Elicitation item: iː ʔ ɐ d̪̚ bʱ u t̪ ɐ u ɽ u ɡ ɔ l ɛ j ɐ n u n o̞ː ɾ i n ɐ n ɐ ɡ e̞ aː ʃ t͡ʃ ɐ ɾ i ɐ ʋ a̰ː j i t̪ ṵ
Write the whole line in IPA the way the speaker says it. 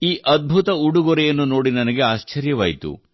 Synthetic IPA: iː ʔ ɐ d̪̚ bʱ u t̪ ɐ u ɽ u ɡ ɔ ɾ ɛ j ɐ nː u n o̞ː ɽ i n ɐ n ɐ ɡ e̞ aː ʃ t͡ʃ ɐ ɾ j ɐ ʋ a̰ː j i t̪ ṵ